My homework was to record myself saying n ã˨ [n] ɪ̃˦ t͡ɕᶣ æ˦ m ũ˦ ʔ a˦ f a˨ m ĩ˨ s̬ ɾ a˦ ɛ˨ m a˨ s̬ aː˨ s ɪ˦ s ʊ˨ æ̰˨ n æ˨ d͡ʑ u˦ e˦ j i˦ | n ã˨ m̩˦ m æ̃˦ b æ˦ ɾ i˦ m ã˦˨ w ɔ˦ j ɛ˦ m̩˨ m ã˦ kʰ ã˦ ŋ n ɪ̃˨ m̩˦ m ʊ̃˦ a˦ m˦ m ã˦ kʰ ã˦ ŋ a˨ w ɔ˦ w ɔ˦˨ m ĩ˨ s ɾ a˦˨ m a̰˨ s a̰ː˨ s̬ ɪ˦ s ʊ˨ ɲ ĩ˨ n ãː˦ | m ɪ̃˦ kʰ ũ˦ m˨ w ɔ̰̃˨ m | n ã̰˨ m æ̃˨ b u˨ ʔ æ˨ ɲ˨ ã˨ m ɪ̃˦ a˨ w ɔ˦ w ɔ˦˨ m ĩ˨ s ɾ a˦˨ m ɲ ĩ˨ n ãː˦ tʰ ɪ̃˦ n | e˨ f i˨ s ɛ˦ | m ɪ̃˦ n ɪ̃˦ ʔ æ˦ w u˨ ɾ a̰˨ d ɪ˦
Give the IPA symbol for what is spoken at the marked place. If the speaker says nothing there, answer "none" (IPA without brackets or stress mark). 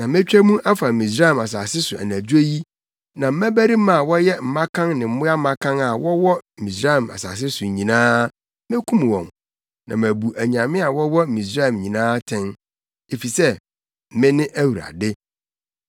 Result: m